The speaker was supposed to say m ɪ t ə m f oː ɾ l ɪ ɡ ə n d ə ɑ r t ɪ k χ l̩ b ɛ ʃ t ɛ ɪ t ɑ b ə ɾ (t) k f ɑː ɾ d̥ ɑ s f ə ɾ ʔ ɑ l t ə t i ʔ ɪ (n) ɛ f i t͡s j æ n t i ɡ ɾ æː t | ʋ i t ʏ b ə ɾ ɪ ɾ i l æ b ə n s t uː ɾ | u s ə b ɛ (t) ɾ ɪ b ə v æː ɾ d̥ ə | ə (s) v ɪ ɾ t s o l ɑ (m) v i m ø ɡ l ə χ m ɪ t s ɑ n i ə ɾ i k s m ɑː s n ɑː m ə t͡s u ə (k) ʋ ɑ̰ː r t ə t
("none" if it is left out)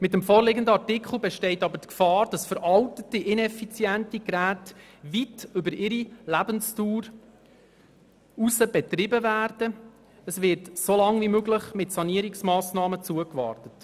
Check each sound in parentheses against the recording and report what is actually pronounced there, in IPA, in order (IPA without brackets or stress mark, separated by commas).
t, n, t, s, ŋ, k